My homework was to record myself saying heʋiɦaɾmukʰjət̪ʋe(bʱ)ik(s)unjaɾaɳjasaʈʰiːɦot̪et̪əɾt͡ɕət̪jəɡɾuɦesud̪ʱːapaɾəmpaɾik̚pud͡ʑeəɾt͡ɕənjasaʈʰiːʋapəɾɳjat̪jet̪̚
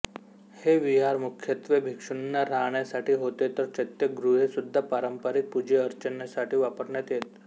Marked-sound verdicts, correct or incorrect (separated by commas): correct, incorrect